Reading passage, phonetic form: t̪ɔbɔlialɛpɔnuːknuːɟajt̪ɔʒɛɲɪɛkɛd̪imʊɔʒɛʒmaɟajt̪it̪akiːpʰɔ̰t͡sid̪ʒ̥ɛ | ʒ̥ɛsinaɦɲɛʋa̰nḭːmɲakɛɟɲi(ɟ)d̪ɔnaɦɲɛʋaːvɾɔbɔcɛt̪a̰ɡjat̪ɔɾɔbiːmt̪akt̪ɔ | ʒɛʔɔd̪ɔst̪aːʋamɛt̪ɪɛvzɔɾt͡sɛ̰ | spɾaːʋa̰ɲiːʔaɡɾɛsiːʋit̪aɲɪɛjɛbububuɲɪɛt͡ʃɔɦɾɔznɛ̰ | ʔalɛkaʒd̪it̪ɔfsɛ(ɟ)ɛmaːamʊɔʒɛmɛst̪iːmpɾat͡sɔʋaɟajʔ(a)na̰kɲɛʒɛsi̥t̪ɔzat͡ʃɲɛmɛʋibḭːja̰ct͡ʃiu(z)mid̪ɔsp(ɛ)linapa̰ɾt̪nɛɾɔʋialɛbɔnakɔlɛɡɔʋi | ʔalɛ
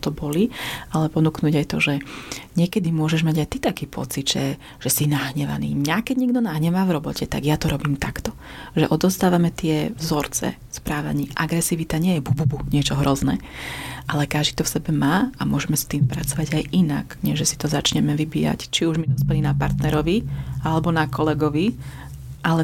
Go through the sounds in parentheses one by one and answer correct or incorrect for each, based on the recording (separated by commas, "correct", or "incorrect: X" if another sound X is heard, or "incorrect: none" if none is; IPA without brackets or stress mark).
incorrect: ɡ, incorrect: b, incorrect: i, incorrect: ʒ, correct